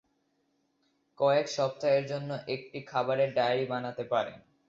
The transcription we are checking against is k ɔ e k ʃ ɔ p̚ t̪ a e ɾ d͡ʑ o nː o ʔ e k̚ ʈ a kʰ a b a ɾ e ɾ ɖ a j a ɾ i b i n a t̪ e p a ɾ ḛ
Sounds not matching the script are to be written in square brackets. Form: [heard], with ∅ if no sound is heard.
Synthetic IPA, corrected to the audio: k ɔ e k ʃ ɔ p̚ t̪ a e ɾ d͡ʑ o nː o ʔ e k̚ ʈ [i] kʰ a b a ɾ e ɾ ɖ a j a ɾ i b [a] n a t̪ e p a ɾ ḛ